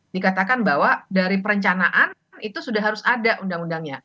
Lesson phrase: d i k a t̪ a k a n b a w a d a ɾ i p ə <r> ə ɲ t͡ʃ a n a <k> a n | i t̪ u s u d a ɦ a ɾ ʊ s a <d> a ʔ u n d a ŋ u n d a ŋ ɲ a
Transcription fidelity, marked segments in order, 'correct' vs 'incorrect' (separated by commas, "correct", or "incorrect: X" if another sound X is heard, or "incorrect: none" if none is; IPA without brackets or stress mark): incorrect: ɾ, incorrect: ʔ, correct